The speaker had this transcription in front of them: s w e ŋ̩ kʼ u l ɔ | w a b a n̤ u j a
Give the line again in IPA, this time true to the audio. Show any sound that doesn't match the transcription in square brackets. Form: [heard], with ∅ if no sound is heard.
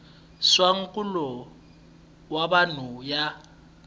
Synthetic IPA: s w [a] ŋ̩ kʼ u l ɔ | w a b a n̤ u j a